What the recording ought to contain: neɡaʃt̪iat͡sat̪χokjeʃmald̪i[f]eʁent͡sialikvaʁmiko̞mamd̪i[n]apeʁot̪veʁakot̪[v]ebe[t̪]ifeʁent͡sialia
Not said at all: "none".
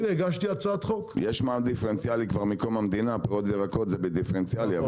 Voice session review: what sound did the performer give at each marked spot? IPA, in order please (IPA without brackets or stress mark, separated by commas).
f, n, z, d̪